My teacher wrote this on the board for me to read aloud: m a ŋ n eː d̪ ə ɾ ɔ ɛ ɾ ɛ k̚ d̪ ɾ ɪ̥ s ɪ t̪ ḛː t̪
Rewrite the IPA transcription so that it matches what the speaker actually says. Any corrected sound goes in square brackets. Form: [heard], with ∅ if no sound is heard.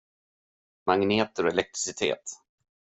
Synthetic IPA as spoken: m a ŋ n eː [t̪] ə ɾ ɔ ɛ [l] ɛ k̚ [t̪] ɾ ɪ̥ s ɪ [t̪ʰ] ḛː t̪